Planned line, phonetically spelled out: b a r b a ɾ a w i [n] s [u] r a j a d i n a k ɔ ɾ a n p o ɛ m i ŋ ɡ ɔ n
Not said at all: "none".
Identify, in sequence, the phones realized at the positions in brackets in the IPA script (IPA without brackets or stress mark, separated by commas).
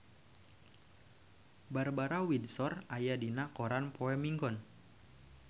d, ɔ